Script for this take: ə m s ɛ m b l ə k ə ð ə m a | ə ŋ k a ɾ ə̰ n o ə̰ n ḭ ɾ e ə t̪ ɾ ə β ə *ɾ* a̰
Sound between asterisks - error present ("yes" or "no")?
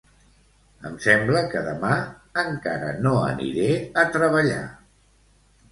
yes